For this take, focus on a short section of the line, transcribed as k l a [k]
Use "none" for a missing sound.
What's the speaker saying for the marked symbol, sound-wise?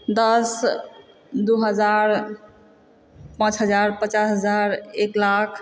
kʰ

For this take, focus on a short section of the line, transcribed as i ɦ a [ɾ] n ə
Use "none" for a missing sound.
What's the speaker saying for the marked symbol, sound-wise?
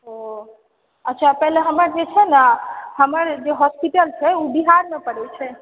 ɾ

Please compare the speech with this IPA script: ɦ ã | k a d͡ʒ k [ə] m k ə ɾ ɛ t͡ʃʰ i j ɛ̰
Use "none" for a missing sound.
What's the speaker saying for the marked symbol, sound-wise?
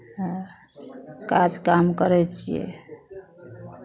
a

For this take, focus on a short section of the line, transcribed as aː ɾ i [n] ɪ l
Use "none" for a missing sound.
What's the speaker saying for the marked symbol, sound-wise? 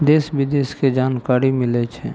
m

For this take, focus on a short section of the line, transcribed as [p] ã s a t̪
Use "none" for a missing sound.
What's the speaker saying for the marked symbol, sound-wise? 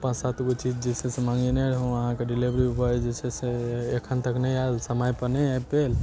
p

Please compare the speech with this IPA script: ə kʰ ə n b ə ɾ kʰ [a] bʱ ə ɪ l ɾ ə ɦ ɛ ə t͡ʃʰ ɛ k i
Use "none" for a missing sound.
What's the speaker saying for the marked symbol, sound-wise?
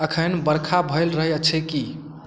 a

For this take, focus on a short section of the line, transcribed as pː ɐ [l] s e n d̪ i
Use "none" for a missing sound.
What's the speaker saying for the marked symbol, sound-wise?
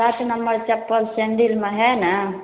l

